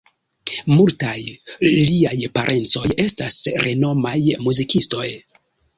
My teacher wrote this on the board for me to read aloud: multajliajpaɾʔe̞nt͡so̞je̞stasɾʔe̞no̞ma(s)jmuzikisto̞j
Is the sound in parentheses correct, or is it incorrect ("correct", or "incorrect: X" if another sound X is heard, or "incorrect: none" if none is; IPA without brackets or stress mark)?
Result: incorrect: none